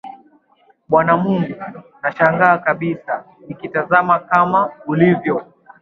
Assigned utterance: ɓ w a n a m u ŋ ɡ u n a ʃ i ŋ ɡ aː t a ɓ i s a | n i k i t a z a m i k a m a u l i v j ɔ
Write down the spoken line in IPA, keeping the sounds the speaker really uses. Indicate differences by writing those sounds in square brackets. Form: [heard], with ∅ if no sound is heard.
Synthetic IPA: ɓ w a n a m u ŋ ɡ u n a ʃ [a] ŋ ɡ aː [k] a ɓ i s a | n i k i t a z a m [a] k a m a u l i v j ɔ